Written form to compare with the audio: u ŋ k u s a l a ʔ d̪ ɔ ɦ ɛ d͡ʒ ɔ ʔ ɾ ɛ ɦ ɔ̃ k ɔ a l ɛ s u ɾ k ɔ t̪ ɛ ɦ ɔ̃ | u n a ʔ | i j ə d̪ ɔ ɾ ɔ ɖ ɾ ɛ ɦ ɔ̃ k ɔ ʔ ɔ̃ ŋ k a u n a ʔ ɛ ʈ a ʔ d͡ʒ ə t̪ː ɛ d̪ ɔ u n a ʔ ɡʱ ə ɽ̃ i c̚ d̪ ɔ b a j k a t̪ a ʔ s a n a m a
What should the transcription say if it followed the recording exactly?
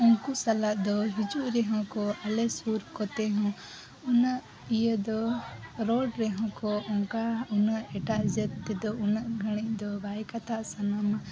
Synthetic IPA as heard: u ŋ k u s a l a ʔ d̪ ɔ ɦ i d͡ʒ u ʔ ɾ ɛ ɦ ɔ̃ k ɔ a l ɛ s u ɾ k ɔ t̪ ɛ ɦ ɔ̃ | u n a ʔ | i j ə d̪ ɔ ɾ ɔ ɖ ɾ ɛ ɦ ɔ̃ k ɔ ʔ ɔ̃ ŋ k a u n a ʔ ɛ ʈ a ʔ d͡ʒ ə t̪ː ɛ d̪ ɔ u n a ʔ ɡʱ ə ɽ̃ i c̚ d̪ ɔ b a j k a t̪ a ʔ s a n a m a

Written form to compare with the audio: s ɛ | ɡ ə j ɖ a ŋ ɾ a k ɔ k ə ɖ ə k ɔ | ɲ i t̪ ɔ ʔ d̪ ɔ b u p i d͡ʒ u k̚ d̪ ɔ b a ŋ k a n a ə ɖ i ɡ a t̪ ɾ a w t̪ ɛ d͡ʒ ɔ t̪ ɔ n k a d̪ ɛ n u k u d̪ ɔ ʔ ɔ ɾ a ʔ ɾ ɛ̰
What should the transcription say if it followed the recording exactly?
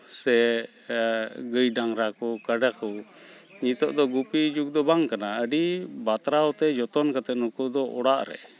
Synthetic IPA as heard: s ɛ | ɡ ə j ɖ a ŋ ɾ a k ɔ k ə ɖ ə k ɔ | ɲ i t̪ ɔ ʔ d̪ ɔ ɡ u p i d͡ʒ u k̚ d̪ ɔ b a ŋ k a n a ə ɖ i b a t̪ ɾ a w t̪ ɛ d͡ʒ ɔ t̪ ɔ n k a t̪ ɛ n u k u d̪ ɔ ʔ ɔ ɽ a ʔ ɾ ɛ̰

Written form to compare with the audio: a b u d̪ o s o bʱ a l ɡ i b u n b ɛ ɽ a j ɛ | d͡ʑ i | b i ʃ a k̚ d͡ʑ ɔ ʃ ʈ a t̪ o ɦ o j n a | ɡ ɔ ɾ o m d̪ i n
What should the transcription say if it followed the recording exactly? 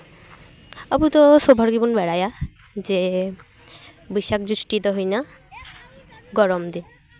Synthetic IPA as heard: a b u t̪ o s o bʱ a ɾ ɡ i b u n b ɛ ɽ a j a | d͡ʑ e | b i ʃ a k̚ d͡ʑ u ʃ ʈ i t̪ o ɦ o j n a | ɡ ɔ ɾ o m d̪ i n

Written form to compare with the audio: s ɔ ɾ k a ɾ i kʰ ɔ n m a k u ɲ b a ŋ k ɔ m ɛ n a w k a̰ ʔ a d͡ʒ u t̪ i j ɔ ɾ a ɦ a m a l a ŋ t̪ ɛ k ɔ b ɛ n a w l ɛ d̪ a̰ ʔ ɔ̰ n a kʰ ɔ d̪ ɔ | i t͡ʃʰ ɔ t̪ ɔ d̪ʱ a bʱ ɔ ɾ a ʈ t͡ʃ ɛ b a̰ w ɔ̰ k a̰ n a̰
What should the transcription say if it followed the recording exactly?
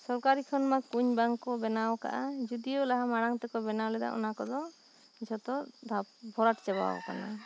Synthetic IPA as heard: s ɔ ɾ k a ɾ i kʰ ɔ n m a k u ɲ b a ŋ k ɔ b ɛ n a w k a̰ ʔ a d͡ʒ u d̪ i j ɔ l a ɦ a m a ɽ a ŋ t̪ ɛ k ɔ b ɛ n a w l ɛ d̪ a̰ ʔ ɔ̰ n a k ɔ d̪ ɔ | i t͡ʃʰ ɔ t̪ ɔ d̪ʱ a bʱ ɔ ɾ a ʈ t͡ʃ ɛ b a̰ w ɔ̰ k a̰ n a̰

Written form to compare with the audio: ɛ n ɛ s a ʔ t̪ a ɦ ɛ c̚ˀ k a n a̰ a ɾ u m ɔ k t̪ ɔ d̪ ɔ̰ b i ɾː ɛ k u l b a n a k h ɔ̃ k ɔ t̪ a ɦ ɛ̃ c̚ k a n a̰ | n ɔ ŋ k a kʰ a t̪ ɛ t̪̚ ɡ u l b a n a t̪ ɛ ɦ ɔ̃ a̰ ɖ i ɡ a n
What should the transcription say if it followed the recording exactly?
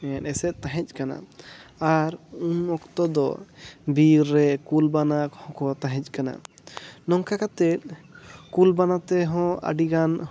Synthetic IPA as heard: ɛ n ɛ s ɛ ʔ t̪ a ɦ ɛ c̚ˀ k a n a̰ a ɾ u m ɔ k t̪ ɔ d̪ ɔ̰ b i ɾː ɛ k u l b a n a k h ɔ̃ k ɔ t̪ a ɦ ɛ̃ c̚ k a n a̰ | n ɔ ŋ k a k a t̪ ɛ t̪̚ k u l b a n a t̪ ɛ ɦ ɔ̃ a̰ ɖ i ɡ a n

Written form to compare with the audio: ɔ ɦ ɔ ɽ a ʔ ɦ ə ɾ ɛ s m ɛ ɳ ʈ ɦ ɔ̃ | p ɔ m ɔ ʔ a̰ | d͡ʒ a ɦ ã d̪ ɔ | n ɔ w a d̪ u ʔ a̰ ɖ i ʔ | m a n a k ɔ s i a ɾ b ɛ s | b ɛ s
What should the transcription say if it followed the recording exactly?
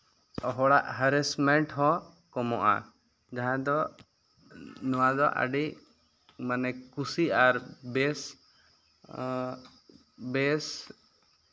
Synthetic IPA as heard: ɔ ɦ ɔ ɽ a ʔ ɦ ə ɾ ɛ s m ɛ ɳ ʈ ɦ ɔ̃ | k ɔ m ɔ ʔ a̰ | d͡ʒ a ɦ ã d̪ ɔ | n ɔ w a d̪ ɔ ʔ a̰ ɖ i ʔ | m a n ɛ k u s i a ɾ b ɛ s | b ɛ s

